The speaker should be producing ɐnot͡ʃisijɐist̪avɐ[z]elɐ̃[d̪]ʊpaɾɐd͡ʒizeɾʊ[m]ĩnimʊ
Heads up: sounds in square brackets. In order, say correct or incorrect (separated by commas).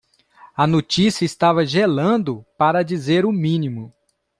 incorrect, correct, correct